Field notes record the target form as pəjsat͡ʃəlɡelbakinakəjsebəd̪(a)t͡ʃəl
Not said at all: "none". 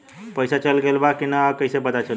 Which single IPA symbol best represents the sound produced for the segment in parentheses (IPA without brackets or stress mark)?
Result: a